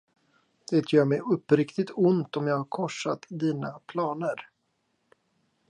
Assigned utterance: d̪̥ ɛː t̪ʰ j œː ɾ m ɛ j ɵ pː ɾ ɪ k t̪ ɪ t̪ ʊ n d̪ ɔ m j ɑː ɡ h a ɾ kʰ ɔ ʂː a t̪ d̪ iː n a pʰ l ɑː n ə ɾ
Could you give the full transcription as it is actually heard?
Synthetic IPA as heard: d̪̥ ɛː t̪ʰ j œː ɾ m ɛ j ɵ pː ɾ ɪ k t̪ ɪ t̪ ʊ n t̪ ɔ m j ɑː ɡ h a ɾ kʰ ɔ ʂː a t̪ d̪ iː n a pʰ l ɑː n ə ɾ